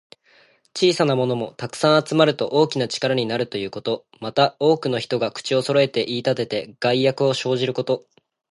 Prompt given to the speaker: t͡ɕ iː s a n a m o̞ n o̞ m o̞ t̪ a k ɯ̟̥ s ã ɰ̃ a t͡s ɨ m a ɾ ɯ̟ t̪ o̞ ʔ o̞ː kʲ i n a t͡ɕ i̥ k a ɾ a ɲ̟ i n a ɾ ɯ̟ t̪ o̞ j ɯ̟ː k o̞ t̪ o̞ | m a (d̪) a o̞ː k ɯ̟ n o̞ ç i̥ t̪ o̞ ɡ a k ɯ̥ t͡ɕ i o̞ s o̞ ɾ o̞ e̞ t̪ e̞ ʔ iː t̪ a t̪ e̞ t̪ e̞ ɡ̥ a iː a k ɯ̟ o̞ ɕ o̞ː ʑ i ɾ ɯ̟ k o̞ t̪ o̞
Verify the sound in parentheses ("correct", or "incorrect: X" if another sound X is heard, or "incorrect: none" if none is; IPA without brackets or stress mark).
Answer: incorrect: t̪